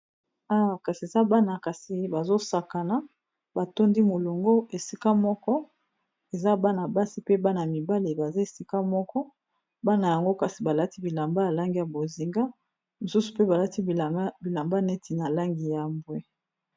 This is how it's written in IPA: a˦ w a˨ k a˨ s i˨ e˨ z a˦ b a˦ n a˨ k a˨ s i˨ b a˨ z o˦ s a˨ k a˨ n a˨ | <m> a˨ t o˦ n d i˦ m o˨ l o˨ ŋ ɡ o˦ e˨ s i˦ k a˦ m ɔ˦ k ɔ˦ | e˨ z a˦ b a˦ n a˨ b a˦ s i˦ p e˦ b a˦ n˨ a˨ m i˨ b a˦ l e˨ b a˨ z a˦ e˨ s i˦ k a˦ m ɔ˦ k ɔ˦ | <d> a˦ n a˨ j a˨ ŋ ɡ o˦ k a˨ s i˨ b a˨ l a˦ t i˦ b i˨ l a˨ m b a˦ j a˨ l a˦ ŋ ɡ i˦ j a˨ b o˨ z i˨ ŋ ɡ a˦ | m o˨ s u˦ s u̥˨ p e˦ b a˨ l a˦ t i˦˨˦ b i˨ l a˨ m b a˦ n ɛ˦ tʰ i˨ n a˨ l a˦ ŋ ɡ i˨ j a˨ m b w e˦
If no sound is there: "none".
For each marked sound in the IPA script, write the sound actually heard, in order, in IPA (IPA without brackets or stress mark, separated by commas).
b, b